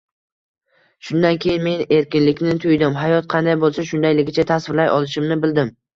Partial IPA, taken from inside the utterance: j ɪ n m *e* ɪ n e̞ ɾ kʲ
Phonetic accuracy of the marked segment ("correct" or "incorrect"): correct